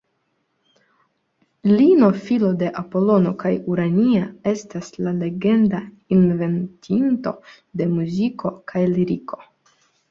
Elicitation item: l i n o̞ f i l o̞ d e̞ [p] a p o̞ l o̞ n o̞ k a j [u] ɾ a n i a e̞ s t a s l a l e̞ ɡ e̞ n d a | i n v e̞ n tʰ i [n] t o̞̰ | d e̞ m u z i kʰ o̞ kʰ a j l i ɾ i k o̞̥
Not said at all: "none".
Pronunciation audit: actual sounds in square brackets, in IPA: ʔ, u, n

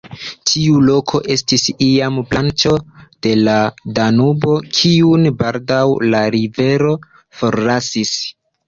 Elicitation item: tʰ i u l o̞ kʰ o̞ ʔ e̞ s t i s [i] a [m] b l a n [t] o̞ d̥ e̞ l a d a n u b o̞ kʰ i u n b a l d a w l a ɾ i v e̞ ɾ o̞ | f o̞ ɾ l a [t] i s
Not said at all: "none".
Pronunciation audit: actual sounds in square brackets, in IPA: i, m, t͡ʃ, s

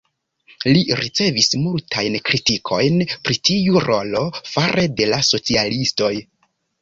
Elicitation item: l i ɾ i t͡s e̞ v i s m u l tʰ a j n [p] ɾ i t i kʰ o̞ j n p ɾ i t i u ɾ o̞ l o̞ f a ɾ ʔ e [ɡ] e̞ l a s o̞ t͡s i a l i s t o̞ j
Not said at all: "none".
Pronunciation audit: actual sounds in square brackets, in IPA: k, d

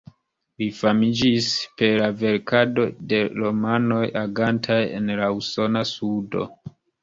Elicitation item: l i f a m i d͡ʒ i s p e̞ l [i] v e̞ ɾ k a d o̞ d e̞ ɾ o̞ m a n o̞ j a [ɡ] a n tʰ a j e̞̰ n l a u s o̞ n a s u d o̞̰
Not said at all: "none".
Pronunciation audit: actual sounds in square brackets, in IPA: a, ɡ

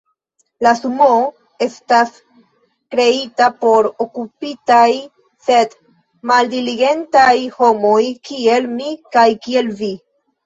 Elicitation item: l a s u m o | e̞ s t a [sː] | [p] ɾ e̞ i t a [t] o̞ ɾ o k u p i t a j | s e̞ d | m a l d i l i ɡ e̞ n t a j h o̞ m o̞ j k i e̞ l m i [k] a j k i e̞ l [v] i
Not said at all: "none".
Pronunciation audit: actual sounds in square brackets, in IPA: s, k, p, k, v

